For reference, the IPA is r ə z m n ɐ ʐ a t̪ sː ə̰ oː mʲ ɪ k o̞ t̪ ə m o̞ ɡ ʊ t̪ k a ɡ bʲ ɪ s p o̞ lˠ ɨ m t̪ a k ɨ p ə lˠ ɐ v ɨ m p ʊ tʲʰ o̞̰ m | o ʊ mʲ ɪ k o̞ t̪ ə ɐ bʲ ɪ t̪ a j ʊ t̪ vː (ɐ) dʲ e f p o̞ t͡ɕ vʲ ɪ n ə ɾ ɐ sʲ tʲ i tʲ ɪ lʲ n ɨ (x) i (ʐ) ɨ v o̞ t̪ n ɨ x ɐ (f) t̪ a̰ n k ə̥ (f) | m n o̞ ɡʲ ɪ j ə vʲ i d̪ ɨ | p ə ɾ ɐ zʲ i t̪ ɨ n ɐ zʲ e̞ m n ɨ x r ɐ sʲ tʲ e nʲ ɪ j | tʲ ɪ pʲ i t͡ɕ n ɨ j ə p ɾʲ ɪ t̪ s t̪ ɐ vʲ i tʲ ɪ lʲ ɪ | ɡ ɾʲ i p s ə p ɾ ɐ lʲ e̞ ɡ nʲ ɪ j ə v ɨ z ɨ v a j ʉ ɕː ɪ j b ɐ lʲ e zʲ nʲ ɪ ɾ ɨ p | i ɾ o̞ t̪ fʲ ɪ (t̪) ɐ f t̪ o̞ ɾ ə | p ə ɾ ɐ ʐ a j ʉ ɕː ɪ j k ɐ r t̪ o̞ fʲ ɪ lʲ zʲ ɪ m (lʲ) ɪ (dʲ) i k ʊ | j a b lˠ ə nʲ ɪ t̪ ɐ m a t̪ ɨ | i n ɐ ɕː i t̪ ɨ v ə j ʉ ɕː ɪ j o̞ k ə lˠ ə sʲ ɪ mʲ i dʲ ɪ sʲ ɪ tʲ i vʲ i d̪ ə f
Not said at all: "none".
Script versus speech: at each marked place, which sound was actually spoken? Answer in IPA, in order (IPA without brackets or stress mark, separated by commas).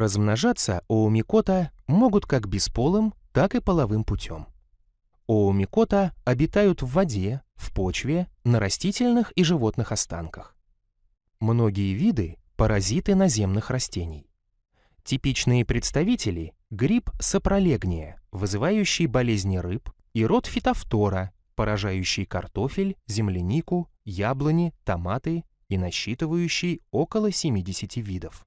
ɐ, x, ʐ, s, x, t̪, lʲ, nʲ